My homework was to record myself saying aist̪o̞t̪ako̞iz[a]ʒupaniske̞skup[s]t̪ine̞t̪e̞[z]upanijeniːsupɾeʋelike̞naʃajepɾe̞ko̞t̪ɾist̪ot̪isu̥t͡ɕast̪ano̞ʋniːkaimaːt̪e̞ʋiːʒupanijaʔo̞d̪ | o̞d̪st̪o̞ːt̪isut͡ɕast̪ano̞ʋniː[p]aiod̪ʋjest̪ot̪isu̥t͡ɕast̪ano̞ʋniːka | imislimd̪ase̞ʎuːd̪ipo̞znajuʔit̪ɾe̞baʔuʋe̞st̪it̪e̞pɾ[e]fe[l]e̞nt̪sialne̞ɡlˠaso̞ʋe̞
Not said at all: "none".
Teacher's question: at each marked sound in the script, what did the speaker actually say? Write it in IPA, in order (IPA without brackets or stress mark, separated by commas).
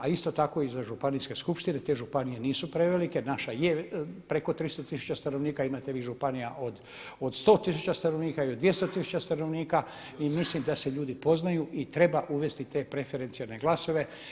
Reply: a, ʃ, ʒ, k, e, ɾ